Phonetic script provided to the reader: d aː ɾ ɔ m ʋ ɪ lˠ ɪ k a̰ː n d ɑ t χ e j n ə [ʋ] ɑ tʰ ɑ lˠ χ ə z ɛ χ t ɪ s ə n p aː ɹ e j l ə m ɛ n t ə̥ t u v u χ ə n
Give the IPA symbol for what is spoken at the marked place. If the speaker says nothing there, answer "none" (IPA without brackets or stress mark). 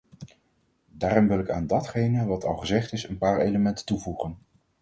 ʋ